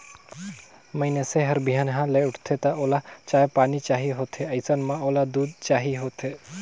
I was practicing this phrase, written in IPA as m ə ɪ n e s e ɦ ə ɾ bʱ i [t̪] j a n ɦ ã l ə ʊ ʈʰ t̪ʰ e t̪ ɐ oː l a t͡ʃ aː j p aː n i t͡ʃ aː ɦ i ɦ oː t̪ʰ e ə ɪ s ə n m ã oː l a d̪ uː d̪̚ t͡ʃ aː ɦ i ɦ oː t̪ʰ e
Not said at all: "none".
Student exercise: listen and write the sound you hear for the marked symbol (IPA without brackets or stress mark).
none